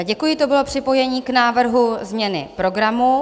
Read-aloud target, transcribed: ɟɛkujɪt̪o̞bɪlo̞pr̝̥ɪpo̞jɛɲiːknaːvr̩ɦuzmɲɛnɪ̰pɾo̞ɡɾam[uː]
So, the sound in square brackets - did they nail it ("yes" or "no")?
no